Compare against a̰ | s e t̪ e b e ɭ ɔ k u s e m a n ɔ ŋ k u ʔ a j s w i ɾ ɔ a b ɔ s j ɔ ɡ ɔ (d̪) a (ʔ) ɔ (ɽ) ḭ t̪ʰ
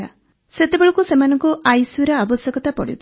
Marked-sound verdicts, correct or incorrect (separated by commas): incorrect, incorrect, correct